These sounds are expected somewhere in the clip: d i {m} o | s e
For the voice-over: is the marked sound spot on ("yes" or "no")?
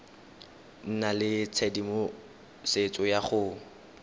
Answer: yes